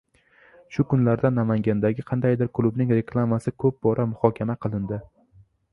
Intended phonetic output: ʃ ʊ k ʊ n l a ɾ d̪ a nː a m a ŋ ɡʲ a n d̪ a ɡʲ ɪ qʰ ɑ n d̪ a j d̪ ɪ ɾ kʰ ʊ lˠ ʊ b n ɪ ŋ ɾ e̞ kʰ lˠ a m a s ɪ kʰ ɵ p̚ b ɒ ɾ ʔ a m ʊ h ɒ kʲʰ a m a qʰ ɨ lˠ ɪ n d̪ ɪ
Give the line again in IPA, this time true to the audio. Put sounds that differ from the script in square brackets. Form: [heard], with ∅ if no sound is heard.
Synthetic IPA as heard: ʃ ʊ k ʊ n l a ɾ d̪ a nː a m a ŋ ɡʲ a n d̪ a ɡʲ ɪ qʰ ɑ n d̪ a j d̪ ɪ ɾ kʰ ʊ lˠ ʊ b n ɪ ŋ ɾ e̞ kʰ lˠ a m a s ɪ kʰ ɵ p̚ b ɒ ɾ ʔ a m ʊ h ɒ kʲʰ a m a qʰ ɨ lˠ ɪ n d̪ ɪ